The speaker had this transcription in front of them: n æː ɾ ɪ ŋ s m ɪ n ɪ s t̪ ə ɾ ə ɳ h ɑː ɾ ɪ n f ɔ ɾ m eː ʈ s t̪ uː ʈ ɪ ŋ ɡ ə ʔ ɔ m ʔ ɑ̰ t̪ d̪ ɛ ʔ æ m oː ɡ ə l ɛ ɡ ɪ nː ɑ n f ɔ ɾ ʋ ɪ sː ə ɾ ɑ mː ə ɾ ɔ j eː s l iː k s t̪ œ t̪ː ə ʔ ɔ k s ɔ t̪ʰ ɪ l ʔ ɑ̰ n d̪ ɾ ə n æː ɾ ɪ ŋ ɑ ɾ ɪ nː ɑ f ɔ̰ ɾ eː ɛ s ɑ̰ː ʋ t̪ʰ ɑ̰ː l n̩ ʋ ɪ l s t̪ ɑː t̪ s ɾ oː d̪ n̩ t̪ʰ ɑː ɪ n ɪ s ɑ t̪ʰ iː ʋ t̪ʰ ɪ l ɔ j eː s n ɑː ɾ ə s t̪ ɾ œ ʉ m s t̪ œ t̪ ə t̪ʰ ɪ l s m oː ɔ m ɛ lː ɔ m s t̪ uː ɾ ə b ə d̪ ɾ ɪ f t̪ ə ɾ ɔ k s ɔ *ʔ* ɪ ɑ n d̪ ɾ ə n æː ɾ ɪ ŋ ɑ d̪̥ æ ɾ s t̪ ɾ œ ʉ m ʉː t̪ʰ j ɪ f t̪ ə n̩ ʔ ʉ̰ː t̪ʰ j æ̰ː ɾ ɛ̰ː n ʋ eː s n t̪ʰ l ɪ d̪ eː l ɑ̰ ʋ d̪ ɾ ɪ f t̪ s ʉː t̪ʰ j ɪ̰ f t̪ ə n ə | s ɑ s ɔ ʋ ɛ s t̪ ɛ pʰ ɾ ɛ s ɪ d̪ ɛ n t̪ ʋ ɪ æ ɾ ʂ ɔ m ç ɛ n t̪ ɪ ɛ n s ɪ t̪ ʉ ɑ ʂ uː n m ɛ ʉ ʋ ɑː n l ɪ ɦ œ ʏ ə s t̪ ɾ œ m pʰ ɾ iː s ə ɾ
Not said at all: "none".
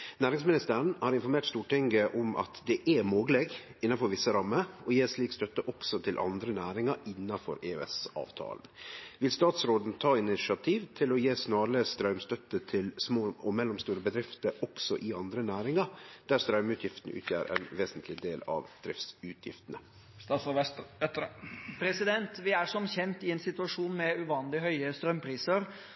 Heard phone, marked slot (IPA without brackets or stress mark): ʔ